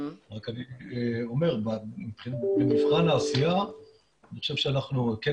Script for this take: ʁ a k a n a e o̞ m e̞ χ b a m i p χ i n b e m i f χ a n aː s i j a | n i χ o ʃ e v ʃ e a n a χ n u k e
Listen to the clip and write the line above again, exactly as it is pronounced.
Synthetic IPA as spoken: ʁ a k a n i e o̞ m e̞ ʁ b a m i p χ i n b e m i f χ a n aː s i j a | n i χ o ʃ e v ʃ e a n a χ n u k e